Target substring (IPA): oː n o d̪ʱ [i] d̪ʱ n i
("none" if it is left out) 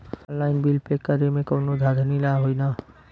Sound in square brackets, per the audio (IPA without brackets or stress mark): a